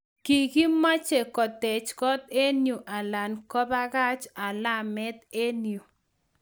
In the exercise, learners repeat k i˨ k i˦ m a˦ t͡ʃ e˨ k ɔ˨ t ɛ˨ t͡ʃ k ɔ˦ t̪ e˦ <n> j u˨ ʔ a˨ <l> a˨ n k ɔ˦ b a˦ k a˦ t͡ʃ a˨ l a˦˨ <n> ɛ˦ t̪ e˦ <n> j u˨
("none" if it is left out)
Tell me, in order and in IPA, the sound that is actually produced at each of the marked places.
n, l, m, n

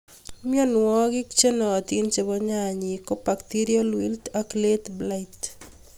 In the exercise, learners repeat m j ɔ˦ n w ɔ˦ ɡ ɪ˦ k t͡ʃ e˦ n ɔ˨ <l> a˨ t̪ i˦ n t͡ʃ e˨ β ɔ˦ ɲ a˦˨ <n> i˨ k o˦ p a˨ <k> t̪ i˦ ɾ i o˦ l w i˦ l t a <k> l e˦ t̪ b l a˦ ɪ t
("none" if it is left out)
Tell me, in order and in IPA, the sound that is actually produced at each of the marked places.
none, ɲ, k, k

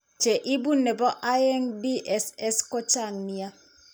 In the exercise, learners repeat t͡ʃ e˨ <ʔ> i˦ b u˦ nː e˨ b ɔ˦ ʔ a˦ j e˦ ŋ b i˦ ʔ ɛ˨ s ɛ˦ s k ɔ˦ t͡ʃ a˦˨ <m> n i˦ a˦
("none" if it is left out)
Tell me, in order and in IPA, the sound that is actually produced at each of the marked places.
ʔ, ŋ

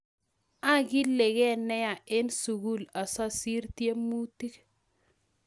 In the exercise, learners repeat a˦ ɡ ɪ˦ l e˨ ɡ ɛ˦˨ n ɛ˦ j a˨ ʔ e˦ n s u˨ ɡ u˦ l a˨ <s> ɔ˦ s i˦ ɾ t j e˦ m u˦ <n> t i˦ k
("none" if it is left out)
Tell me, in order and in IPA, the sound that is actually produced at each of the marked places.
s, none

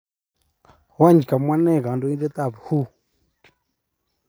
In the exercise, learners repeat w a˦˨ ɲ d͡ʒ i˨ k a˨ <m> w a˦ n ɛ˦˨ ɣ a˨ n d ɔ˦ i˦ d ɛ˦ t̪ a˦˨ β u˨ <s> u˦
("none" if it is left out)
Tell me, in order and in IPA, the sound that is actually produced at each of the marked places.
m, h

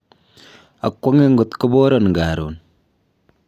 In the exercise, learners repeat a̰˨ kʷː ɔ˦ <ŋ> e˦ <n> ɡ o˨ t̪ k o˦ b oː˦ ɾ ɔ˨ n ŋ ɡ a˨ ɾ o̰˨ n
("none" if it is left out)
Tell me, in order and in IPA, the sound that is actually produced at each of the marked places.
ŋ, ŋ

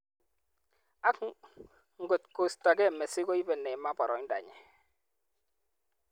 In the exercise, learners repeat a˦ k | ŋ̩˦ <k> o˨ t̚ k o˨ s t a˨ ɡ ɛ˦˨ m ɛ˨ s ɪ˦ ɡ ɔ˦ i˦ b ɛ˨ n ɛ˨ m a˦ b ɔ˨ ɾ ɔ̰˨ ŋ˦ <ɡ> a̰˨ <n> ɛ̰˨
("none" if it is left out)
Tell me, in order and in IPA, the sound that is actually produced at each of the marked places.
ɡ, d, ɲ

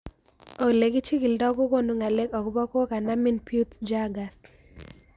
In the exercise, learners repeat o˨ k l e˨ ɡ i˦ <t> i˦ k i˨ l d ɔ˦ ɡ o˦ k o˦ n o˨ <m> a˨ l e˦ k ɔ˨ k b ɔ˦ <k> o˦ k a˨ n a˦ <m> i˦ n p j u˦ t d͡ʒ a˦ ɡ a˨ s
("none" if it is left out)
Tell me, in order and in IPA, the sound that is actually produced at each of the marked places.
t͡ʃ, ŋ, k, m

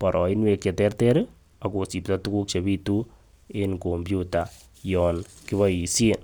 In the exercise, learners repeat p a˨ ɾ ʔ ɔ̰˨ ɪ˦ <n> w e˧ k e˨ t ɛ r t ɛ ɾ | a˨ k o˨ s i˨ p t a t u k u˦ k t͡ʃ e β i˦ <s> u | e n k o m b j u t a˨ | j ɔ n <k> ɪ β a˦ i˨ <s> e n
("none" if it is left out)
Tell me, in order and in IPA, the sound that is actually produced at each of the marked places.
n, t, k, s

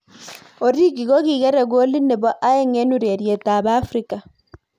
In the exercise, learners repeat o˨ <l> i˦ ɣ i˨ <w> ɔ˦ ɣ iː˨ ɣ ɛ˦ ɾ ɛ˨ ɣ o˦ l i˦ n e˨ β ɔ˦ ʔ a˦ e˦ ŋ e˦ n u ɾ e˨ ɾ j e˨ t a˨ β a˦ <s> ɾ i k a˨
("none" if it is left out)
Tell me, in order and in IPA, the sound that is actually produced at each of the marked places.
ɾ, ɣ, f

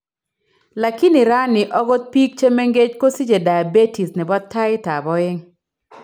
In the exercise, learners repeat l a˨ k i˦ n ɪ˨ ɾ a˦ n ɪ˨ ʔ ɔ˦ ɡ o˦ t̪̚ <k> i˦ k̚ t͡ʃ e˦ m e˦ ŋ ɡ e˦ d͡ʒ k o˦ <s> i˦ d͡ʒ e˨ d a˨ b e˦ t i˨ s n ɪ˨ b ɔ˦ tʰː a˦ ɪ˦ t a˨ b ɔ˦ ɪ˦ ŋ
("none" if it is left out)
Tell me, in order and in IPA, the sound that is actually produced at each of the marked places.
p, s

